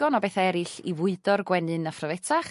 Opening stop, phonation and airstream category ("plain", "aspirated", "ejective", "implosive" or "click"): plain